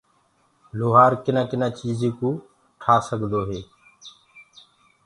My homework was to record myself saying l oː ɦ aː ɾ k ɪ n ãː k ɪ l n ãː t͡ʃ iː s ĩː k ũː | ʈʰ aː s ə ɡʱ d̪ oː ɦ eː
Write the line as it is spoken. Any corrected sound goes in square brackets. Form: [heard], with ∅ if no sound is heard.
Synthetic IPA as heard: l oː ɦ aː ɾ k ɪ n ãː k ɪ [∅] n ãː t͡ʃ iː [z] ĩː k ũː | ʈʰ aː s ə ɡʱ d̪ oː ɦ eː